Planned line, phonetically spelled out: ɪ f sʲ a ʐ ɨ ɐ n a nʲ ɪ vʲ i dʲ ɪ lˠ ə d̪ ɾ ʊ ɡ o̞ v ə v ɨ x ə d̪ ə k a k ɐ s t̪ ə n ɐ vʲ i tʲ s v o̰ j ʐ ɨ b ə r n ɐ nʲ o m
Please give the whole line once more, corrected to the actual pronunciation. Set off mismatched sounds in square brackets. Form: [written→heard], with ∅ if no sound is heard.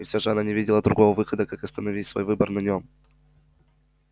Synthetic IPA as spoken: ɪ f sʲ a ʐ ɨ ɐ n a nʲ ɪ vʲ i dʲ ɪ lˠ ə d̪ ɾ ʊ ɡ o̞ v ə v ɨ x ə d̪ ə k a k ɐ s t̪ ə n ɐ vʲ i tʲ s v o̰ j [ʐ→v] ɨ b ə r n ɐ nʲ o m